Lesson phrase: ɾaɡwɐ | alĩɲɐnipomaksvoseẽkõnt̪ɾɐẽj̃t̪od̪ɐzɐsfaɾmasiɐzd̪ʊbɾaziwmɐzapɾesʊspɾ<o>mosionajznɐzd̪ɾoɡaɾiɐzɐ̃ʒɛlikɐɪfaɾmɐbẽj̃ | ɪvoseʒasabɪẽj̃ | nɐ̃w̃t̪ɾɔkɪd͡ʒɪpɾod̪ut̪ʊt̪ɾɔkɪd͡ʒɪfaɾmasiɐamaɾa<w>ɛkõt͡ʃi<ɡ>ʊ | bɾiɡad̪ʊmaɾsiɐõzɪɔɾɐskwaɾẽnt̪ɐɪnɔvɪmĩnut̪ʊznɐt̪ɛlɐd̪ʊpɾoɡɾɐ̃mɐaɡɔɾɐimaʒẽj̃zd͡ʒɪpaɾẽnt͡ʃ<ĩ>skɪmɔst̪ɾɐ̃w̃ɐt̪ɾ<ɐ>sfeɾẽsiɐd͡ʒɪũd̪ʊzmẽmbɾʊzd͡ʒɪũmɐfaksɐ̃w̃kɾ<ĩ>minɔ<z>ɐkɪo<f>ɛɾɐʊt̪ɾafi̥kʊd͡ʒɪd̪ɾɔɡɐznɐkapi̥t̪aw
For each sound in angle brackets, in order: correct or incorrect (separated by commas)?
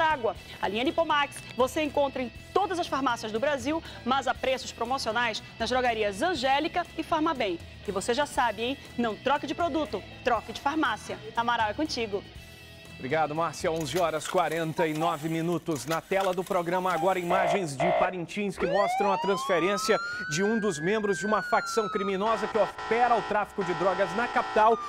correct, correct, correct, correct, incorrect, incorrect, correct, correct